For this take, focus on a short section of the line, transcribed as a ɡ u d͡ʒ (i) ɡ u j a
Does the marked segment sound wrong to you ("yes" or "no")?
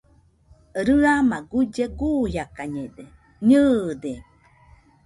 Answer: yes